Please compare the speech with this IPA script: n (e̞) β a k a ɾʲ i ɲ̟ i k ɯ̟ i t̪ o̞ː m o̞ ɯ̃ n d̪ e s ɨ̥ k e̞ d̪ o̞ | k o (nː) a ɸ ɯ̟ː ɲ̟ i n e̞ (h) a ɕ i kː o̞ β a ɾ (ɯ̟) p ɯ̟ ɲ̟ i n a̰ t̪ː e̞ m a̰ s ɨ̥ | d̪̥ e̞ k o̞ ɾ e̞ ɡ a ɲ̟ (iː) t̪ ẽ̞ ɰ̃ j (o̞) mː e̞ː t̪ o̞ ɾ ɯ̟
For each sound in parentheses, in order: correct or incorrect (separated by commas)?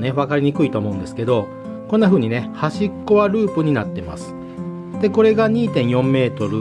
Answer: correct, correct, correct, incorrect, correct, incorrect